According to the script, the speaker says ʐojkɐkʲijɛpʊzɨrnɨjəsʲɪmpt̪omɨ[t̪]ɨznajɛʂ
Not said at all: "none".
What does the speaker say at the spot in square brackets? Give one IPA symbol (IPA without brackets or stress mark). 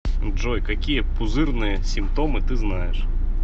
t̪